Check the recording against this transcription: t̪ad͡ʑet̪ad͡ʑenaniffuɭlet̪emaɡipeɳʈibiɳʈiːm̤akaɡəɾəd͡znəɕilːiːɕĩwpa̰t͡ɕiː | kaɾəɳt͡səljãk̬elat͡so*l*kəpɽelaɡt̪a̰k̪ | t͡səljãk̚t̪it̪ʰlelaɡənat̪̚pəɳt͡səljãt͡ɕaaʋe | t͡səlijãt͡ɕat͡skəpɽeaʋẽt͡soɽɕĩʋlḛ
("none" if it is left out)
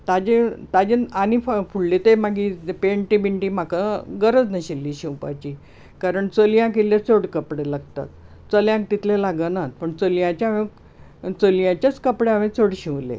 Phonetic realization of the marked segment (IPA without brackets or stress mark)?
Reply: ɽ